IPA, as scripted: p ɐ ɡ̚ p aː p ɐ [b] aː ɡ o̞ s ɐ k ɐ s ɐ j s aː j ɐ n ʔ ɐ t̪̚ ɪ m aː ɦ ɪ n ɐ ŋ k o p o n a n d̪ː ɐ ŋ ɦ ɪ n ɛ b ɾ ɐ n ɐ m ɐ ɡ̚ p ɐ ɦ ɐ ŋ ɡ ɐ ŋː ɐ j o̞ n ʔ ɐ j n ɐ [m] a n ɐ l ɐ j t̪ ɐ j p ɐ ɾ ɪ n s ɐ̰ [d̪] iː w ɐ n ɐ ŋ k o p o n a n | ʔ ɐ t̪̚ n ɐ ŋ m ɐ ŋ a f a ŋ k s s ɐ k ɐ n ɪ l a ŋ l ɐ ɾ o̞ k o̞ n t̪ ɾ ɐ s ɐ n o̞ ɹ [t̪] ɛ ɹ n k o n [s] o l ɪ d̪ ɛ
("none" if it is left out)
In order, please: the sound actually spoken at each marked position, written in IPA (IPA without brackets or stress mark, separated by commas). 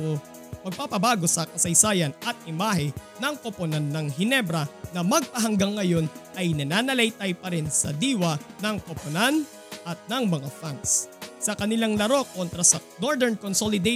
b, n, d̪, d̪, s